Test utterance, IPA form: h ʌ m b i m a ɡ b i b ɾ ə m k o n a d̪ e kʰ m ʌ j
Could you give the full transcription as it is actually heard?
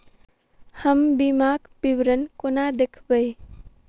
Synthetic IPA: h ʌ m b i m a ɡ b i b ɾ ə n k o n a d̪ e kʰ b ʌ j